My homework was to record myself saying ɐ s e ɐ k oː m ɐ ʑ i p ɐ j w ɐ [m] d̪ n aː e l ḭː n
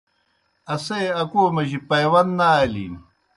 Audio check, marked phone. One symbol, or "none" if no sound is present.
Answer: n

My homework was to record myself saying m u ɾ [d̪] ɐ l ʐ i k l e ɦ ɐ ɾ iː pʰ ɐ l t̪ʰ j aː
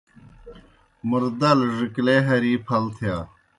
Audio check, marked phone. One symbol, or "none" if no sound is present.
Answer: d̪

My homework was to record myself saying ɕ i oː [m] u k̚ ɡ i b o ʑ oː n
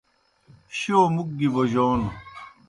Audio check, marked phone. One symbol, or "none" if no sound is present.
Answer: m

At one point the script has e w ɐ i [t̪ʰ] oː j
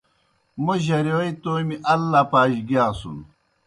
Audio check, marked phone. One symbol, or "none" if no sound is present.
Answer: t̪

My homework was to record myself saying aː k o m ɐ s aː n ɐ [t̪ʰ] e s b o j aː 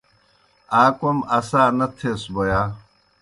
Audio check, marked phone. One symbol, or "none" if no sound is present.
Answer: t̪ʰ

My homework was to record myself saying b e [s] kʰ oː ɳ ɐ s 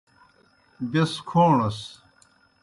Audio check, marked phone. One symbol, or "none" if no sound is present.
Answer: s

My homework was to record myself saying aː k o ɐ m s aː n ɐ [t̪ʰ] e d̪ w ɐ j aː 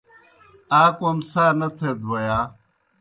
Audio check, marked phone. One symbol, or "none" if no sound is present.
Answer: t̪ʰ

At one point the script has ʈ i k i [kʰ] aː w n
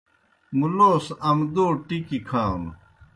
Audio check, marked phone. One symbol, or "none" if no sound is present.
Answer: kʰ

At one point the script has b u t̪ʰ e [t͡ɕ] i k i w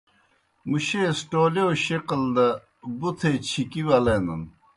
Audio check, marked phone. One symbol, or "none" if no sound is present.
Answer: t͡ɕʰ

